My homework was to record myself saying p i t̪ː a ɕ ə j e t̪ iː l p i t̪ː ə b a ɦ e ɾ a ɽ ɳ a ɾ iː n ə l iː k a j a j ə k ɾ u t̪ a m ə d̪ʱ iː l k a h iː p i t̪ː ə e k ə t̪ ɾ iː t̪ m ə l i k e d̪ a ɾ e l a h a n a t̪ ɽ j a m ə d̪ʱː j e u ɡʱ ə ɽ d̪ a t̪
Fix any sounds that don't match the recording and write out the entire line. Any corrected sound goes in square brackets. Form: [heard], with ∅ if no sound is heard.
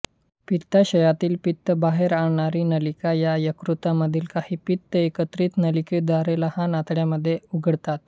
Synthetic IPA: p i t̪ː a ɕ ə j [a] t̪ iː l p i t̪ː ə b a ɦ e ɾ a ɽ ɳ a ɾ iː n ə l [i] k a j a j ə k ɾ u t̪ a m ə d̪ʱ iː l k a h iː p i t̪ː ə e k ə t̪ ɾ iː t̪ [n] ə l i k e d̪ a ɾ e l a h a n a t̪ ɽ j a m ə d̪ʱː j e u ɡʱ ə ɽ [t̪] a t̪